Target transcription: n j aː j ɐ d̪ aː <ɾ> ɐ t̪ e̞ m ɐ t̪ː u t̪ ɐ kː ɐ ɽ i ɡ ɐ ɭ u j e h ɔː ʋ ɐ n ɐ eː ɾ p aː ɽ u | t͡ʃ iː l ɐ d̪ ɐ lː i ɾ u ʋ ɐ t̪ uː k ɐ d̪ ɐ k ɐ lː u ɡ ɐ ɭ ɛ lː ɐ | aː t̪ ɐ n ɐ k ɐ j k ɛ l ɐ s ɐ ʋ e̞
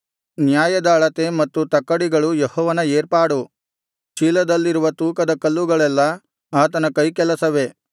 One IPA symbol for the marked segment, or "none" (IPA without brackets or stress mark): ɭ